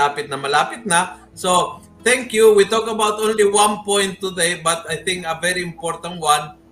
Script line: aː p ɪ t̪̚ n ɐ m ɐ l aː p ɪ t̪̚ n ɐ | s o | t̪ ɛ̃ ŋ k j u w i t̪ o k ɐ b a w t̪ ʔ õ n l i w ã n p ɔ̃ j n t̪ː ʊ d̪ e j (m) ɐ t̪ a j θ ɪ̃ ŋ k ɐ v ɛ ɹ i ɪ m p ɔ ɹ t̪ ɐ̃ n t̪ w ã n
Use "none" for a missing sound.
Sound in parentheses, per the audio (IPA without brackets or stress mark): b